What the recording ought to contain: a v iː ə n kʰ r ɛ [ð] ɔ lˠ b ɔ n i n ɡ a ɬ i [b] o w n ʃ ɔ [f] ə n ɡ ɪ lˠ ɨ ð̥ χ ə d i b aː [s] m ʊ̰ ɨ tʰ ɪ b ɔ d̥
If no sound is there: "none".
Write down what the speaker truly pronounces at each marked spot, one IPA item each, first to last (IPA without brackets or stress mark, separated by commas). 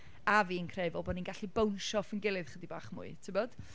v, b, f, χ